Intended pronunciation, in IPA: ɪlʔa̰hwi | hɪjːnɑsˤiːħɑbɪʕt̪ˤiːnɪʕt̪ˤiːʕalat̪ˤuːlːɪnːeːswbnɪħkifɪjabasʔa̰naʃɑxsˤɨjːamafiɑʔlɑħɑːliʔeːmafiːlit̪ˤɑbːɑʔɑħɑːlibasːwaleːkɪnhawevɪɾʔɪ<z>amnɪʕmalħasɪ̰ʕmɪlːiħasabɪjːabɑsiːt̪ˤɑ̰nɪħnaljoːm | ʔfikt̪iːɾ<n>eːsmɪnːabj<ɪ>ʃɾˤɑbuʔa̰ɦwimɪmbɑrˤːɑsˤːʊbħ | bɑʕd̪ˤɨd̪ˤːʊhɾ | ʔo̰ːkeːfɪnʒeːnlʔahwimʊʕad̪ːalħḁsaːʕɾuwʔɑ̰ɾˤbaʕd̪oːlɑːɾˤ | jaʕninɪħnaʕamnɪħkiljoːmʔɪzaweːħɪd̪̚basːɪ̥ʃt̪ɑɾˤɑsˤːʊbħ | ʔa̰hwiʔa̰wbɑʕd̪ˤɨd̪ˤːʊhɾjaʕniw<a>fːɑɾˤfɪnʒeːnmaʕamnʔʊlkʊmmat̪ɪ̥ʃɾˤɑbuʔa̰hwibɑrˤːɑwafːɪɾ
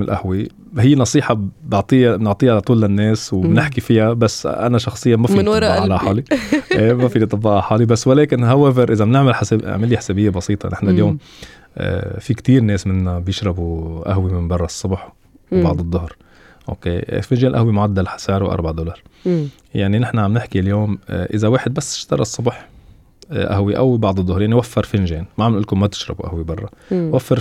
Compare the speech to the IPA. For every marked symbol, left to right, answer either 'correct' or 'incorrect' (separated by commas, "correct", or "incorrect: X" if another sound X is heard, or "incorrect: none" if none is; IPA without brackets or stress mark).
correct, correct, correct, correct